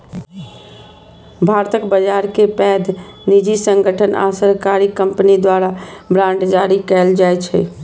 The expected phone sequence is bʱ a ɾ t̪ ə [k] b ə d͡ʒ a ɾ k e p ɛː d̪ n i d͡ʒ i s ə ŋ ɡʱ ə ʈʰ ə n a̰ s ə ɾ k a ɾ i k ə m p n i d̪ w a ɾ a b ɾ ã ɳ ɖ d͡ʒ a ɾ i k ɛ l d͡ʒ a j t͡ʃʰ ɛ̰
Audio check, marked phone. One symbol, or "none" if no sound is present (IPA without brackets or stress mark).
k